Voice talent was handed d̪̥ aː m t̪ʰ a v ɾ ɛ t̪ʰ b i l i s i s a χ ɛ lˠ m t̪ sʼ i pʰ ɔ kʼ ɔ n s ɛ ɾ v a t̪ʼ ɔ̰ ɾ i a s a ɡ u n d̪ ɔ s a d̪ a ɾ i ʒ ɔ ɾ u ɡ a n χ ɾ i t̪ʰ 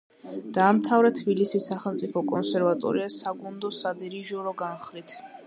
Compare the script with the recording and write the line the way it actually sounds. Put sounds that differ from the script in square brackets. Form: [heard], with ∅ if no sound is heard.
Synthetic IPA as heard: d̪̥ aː m t̪ʰ a v ɾ ɛ t̪ʰ b i l i s i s a χ ɛ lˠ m t̪ sʼ i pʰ ɔ kʼ ɔ n s ɛ ɾ v a t̪ʼ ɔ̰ ɾ i a s a ɡ u n d̪ ɔ s a d̪ [i] ɾ i ʒ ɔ ɾ [ɔ] ɡ a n χ ɾ i t̪ʰ